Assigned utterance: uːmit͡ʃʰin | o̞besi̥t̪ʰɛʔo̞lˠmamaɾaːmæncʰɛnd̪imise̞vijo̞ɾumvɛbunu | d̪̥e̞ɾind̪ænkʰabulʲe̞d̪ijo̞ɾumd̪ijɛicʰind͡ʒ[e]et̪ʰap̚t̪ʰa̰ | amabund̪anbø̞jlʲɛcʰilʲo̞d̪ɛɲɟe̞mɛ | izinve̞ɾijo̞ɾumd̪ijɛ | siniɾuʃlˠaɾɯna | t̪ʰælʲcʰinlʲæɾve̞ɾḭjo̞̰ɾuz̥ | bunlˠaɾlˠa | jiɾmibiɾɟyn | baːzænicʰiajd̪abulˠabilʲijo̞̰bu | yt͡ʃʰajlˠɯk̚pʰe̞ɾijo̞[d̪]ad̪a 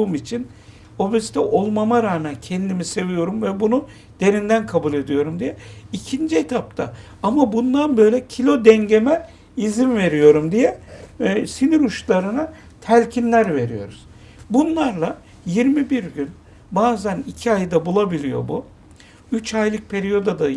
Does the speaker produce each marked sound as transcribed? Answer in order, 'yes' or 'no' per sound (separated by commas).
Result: no, yes